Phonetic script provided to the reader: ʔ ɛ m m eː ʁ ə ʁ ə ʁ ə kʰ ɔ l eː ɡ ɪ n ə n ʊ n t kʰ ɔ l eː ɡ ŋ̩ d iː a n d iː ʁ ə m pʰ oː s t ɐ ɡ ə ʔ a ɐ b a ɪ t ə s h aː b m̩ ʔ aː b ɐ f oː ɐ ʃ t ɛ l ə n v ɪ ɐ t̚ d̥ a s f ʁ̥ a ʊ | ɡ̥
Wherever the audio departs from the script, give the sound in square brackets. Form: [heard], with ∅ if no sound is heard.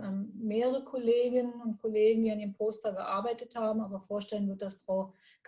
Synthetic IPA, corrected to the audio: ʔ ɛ m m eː ʁ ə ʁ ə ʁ ə kʰ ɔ l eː ɡ ɪ n ə n ʊ n t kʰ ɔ l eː ɡ ŋ̩ d iː a n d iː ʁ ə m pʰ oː s t ɐ ɡ ə ʔ a ɐ b a ɪ t ə [t] h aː b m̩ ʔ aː b ɐ f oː ɐ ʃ t ɛ l ə n v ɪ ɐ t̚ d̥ a s f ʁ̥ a ʊ | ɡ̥